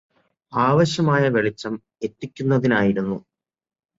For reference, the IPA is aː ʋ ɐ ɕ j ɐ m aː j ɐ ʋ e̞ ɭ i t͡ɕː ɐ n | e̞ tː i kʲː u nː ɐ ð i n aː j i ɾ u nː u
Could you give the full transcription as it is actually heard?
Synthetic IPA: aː ʋ ɐ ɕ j ɐ m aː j ɐ ʋ e̞ ɭ i t͡ɕː ɐ m | e̞ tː i kʲː u nː ɐ ð i n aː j i ɾ u nː u